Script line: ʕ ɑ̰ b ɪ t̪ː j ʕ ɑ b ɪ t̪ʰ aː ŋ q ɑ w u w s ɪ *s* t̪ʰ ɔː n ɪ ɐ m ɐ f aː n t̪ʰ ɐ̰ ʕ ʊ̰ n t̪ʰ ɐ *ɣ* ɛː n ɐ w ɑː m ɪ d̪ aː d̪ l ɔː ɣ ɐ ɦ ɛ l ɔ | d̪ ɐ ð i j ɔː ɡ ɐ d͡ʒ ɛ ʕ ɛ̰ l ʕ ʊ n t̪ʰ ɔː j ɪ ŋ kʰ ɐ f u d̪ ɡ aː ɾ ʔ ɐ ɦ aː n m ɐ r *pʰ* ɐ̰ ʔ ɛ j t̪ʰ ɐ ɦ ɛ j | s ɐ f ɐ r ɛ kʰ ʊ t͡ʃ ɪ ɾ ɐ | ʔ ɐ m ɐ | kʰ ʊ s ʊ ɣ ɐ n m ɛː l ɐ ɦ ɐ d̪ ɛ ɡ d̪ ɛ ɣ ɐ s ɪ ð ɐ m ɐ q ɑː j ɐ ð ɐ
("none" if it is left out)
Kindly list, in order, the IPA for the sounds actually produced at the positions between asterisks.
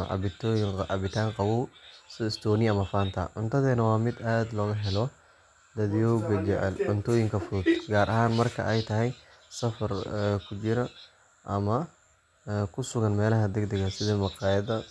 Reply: s, ð, kʰ

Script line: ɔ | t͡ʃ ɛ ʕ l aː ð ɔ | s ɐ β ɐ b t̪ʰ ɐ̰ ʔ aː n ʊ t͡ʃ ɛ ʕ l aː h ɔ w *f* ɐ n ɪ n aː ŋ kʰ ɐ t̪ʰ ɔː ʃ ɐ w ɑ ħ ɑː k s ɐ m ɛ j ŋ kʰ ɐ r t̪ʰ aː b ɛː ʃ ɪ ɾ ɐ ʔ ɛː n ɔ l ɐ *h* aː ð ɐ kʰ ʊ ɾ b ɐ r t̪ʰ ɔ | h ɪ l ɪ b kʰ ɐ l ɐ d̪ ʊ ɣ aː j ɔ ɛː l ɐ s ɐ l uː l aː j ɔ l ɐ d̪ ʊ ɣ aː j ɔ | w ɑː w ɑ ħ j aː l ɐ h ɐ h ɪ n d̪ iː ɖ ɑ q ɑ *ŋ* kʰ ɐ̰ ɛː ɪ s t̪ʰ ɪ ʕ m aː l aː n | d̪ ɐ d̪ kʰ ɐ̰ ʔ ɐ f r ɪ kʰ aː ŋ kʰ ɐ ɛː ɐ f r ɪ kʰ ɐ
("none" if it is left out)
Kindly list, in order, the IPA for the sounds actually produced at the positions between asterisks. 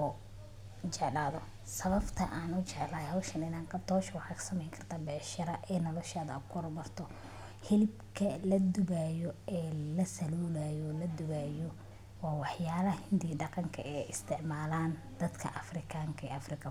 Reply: ʃ, ʃ, ŋ

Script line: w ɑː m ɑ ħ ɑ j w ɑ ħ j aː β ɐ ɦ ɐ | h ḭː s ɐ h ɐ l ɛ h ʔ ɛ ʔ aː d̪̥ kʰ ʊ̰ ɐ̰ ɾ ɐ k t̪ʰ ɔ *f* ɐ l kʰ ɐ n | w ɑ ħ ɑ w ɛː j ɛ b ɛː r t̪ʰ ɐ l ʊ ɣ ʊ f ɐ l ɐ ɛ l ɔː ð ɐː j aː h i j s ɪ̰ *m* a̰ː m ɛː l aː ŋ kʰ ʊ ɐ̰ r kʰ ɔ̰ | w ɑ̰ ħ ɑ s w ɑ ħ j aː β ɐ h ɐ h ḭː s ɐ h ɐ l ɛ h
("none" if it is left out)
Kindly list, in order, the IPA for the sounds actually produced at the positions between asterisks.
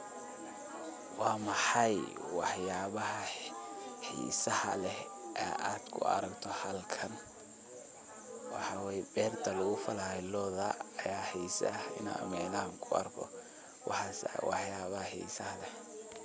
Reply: h, n

